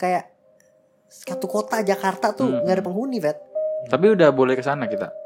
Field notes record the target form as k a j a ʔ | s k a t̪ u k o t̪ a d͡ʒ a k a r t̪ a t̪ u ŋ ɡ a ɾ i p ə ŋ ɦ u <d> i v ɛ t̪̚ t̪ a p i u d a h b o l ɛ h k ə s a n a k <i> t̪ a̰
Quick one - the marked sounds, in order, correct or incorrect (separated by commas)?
incorrect, correct